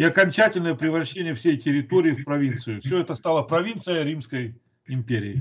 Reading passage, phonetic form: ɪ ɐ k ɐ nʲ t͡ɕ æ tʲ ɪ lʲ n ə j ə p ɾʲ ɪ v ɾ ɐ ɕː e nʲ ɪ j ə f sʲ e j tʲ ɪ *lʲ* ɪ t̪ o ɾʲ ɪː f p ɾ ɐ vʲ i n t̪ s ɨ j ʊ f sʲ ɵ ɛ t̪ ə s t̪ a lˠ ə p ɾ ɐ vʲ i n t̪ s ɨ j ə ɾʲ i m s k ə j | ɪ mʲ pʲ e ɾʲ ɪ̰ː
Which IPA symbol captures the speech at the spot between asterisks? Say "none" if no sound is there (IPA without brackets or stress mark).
ɾʲ